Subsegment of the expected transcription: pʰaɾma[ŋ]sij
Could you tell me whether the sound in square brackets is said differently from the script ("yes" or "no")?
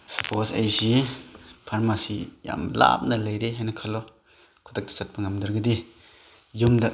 yes